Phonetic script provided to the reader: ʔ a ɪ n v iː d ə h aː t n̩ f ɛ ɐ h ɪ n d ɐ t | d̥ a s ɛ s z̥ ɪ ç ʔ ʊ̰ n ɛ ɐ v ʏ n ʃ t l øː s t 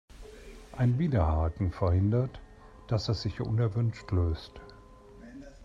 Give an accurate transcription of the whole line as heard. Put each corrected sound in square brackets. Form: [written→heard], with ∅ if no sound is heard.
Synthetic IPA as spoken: ʔ a ɪ n v iː d [ə→ɐ] h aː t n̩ f ɛ ɐ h ɪ n d ɐ t | d̥ a s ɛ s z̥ ɪ ç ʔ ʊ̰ n ɛ ɐ v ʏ n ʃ t l øː s t